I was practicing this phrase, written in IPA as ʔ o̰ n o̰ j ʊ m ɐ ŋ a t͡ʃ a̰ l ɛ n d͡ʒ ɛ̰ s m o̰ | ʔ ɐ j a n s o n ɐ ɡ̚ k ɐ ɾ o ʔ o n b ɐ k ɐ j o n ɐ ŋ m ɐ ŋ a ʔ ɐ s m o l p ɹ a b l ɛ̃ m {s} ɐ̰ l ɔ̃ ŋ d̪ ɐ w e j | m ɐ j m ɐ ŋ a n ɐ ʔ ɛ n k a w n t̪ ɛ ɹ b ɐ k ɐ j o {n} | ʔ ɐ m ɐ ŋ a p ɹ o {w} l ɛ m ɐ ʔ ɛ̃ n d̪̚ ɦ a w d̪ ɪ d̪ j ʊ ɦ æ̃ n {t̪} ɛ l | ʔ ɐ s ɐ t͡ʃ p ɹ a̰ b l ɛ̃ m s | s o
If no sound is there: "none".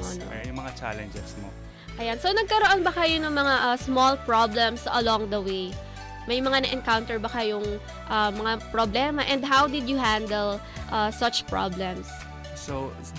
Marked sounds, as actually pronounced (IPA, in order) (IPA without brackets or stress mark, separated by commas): s, ŋ, b, d̪